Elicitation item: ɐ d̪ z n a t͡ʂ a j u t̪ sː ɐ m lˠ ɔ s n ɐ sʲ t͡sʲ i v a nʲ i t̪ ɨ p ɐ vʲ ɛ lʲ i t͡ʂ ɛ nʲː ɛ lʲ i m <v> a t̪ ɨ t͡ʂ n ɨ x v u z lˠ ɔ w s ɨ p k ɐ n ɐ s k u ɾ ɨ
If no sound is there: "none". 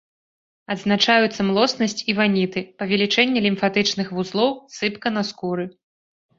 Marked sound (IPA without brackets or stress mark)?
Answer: f